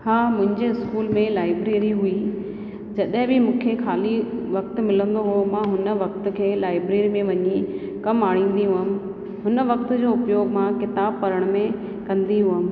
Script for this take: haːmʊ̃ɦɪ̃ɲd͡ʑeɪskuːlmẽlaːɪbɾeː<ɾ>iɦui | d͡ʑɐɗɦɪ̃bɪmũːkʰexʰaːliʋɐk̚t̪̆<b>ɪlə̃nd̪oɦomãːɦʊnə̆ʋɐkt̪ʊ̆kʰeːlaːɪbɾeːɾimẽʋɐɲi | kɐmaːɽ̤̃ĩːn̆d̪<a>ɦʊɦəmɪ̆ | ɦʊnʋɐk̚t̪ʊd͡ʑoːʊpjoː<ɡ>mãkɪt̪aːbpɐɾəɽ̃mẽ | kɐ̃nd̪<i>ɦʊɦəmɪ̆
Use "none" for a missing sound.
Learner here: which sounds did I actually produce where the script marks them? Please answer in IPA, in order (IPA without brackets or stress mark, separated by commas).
ɾ, m, i, ɡ, i